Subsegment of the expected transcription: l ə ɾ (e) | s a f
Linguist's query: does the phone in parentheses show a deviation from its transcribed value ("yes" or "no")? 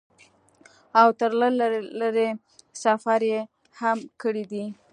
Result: no